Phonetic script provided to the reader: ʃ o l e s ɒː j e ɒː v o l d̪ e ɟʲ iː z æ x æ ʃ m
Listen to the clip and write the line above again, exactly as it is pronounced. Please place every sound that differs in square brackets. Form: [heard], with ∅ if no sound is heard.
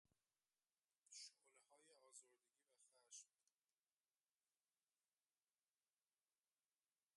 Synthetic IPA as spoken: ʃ o l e [h] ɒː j e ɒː [z] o [ɾ] d̪ e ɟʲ iː [v] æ x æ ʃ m